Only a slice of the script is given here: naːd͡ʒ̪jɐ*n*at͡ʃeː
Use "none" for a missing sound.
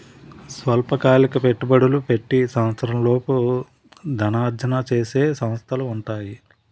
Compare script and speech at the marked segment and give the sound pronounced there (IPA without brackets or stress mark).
n